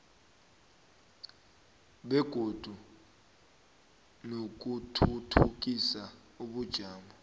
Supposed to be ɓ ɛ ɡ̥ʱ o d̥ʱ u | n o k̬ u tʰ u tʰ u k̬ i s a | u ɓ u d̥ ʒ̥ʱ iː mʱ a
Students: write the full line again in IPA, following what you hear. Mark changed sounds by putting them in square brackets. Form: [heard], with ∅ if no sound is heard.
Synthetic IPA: ɓ ɛ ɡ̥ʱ o d̥ʱ u | n o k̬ u tʰ u tʰ u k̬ i s a | u ɓ u d̥ ʒ̥ʱ [aː] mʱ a